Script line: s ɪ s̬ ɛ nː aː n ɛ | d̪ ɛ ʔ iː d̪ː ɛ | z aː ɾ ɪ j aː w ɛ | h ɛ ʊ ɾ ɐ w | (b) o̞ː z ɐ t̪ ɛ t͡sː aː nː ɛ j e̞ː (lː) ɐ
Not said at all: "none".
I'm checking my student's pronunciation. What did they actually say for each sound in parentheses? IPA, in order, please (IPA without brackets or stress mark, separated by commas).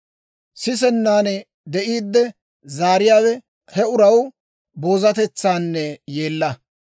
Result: b, lː